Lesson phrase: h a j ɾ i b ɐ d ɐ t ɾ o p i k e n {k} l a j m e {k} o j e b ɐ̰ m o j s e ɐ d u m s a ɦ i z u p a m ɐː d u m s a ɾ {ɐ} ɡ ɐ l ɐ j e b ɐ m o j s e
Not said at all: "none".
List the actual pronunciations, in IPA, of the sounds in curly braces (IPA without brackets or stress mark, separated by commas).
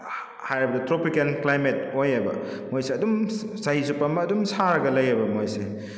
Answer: k, t, ɐ